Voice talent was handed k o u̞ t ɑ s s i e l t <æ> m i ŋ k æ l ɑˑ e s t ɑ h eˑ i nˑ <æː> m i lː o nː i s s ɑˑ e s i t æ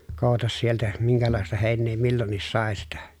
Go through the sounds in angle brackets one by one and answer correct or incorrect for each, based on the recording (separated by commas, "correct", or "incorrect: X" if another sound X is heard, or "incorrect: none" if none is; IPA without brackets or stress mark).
correct, incorrect: eː